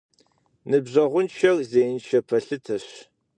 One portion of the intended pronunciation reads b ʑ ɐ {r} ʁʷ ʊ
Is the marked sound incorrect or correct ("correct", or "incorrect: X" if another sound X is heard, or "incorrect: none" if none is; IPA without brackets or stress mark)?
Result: incorrect: none